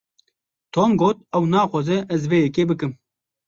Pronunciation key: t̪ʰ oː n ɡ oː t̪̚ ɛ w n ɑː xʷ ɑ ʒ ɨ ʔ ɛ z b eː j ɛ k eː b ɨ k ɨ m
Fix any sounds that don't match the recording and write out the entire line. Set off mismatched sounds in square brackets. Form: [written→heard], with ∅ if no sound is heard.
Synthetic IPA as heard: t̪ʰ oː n ɡ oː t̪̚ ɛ w n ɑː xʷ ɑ [ʒ→z] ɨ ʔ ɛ z [b→v] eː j ɛ k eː b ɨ k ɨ m